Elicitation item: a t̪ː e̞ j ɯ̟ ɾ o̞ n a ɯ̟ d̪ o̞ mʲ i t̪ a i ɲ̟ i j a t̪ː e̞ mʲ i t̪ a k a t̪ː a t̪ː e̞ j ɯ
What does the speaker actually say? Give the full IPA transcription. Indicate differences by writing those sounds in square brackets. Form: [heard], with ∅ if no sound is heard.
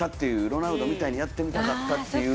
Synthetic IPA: a t̪ː e̞ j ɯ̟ ɾ o̞ n a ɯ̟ d̪ o̞ mʲ i t̪ a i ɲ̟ i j a t̪ː e̞ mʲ i t̪ a k a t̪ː a t̪ː e̞ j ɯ

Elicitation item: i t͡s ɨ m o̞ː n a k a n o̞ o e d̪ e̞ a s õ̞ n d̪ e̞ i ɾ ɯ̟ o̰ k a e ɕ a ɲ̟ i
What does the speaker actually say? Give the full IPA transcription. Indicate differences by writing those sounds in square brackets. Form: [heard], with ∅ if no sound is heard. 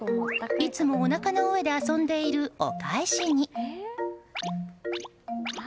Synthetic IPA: i t͡s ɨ m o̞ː n a k a n o̞ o e d̪ e̞ a s õ̞ n d̪ e̞ i ɾ ɯ̟ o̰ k a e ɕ [i] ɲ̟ i

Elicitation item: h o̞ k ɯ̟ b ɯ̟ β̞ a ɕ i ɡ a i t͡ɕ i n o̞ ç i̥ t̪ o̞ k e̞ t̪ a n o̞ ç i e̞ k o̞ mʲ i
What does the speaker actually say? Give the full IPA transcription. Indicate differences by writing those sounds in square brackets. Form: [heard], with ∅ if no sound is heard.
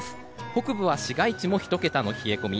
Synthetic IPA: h o̞ k ɯ̟ b ɯ̟ β̞ a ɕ i ɡ a i t͡ɕ i [m] o̞ ç i̥ t̪ o̞ k e̞ t̪ a n o̞ ç i e̞ k o̞ mʲ i

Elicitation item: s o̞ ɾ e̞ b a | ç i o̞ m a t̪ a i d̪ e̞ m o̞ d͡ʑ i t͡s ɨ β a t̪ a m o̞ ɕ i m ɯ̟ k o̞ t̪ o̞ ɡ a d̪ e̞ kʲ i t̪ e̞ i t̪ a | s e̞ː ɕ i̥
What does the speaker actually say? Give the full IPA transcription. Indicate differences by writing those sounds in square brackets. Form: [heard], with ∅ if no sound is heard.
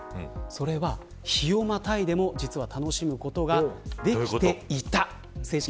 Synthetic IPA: s o̞ ɾ e̞ [β] a | ç i o̞ m a t̪ a i d̪ e̞ m o̞ d͡ʑ i t͡s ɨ β a t̪ a [n] o̞ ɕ i m ɯ̟ k o̞ t̪ o̞ ɡ a d̪ e̞ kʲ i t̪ e̞ i t̪ a | s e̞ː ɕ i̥

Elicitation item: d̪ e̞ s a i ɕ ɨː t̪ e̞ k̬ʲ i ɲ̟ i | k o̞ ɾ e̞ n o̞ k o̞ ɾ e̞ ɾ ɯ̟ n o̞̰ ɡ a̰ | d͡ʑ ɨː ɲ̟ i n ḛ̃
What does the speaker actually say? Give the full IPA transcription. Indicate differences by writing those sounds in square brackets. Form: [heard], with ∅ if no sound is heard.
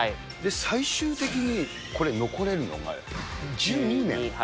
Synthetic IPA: d̪ e̞ s a i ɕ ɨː t̪ e̞ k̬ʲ i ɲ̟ i | k o̞ ɾ e̞ n o̞ k o̞ ɾ e̞ ɾ ɯ̟ n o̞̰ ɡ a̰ | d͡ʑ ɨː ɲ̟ i n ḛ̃

